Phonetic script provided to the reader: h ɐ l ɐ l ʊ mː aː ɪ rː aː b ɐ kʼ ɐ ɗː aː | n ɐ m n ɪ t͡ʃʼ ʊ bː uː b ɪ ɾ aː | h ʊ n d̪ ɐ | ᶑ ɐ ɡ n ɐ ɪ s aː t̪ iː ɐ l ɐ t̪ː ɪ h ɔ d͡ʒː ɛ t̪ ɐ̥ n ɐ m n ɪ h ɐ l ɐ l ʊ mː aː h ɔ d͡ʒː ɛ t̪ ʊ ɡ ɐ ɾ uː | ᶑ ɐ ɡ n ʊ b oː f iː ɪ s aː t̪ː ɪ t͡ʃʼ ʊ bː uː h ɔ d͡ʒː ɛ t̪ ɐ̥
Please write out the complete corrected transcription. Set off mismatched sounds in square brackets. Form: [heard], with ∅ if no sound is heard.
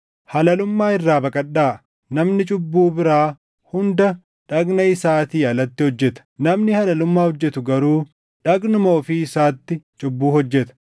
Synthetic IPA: h ɐ l ɐ l ʊ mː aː ɪ rː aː b ɐ kʼ ɐ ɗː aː | n ɐ m n ɪ t͡ʃʼ ʊ bː uː b ɪ ɾ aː | h ʊ n d̪ ɐ | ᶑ ɐ ɡ n ɐ ɪ s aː t̪ iː ɐ l ɐ t̪ː ɪ h ɔ d͡ʒː ɛ t̪ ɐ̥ n ɐ m n ɪ h ɐ l ɐ l ʊ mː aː h ɔ d͡ʒː ɛ t̪ ʊ ɡ ɐ ɾ uː | ᶑ ɐ ɡ n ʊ [m] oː f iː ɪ s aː t̪ː ɪ t͡ʃʼ ʊ bː uː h ɔ d͡ʒː ɛ t̪ ɐ̥